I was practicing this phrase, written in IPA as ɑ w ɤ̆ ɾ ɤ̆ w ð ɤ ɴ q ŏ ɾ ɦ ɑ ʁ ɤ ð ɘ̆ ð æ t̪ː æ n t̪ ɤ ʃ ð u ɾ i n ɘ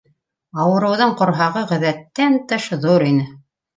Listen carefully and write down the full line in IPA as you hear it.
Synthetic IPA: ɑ w ɤ̆ ɾ ɤ̆ w ð ɤ ɴ q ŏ ɾ ɦ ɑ ʁ ɤ ʁ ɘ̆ ð æ t̪ː æ n t̪ ɤ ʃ ð u ɾ i n ɘ